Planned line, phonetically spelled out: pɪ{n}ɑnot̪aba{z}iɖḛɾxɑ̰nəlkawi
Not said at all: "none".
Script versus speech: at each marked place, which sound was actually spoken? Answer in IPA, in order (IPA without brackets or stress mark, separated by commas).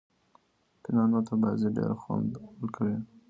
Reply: n, z